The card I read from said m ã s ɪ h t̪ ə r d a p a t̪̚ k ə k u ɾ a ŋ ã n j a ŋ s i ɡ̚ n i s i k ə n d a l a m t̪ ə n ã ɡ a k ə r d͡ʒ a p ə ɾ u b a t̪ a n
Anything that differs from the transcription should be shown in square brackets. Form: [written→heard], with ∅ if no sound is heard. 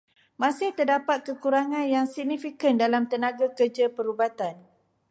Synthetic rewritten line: m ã s ɪ h t̪ ə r d a p a t̪̚ k ə k u ɾ a ŋ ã n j a ŋ s i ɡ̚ n i [s→f] i k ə n d a l a m t̪ ə n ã ɡ a k ə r d͡ʒ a p ə ɾ u b a t̪ a n